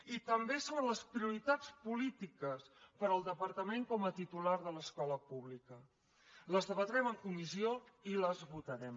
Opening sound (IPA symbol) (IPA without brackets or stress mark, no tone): i